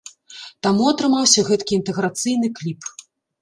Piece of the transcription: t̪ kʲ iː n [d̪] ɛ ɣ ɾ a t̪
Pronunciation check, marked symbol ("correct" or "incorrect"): incorrect